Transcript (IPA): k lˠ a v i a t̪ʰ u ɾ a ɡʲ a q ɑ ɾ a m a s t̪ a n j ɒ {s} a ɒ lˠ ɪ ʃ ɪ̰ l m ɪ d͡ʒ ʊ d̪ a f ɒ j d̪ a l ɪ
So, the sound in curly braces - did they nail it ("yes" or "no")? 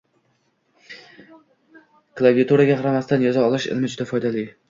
no